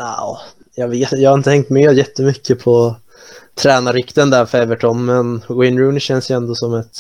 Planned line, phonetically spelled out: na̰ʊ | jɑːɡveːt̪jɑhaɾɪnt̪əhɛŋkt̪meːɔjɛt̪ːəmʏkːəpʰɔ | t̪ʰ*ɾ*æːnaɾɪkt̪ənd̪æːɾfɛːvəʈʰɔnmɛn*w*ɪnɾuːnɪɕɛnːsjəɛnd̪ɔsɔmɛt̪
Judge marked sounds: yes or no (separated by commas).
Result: yes, yes